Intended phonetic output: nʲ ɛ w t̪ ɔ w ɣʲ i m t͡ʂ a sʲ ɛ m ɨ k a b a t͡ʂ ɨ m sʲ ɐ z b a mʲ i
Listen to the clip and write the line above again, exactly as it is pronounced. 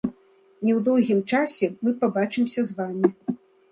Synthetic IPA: nʲ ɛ w d̪ ɔ w ɣʲ i m t͡ʂ a sʲ ɛ m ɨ p a b a t͡ʂ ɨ m sʲ ɐ z v a mʲ i